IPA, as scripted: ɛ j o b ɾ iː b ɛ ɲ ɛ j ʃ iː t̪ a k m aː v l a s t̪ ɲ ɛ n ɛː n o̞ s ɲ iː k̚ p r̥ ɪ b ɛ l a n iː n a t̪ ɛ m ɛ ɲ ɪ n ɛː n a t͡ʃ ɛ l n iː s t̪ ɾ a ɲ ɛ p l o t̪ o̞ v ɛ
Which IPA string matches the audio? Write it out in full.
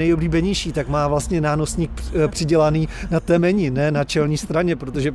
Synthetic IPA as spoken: ɛ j o b l iː b ɛ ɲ ɛ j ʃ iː t̪ a k m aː v l a s t̪ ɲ ɛ n aː n o̞ s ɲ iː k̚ p r̥ ɪ ɟ ɛ l a n iː n a t̪ ɛ m ɛ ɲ ɪ n ɛː n a t͡ʃ ɛ l ɲ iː s t̪ ɾ a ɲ ɛ p ɾ o t̪ o̞ ʒ ɛ